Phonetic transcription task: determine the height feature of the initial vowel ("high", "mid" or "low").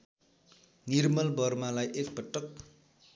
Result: high